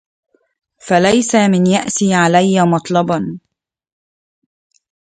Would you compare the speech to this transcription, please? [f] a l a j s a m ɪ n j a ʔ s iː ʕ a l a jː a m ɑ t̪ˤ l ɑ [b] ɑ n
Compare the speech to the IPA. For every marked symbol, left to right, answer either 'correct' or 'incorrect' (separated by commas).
correct, correct